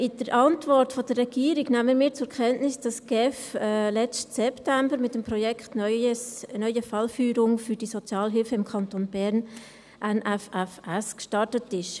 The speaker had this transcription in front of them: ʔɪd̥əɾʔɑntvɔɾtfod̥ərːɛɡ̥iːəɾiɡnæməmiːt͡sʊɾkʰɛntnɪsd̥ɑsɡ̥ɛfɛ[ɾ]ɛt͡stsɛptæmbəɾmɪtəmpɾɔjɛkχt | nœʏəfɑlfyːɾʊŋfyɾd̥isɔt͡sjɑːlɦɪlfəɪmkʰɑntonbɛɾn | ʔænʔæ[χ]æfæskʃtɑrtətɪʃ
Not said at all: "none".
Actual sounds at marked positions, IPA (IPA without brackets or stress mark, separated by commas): l, f